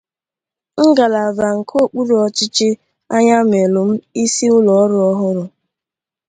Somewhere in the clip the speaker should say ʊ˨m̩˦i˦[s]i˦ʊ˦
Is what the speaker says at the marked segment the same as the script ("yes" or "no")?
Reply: yes